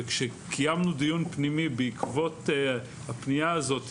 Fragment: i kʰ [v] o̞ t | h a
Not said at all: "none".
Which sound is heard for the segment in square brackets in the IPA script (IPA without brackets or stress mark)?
v